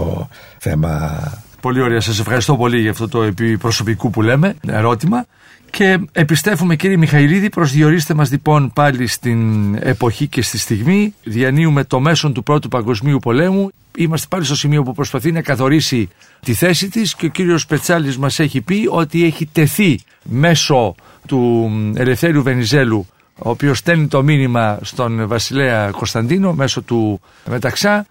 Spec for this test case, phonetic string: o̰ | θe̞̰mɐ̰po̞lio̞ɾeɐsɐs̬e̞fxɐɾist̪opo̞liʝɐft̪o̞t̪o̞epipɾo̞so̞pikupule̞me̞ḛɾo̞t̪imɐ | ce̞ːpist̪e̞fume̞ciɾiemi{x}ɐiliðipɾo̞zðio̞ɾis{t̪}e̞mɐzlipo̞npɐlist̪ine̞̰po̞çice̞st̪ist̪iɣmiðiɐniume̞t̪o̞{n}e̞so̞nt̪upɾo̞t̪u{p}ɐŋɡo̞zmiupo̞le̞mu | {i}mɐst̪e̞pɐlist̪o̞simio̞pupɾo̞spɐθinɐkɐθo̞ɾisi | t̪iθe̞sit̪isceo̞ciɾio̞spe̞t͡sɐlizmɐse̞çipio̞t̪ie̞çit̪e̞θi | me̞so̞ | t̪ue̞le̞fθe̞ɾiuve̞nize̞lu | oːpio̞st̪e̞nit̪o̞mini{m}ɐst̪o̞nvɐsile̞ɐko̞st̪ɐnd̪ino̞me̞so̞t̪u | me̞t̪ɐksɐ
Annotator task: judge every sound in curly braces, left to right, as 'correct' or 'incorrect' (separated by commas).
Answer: correct, correct, incorrect, correct, correct, correct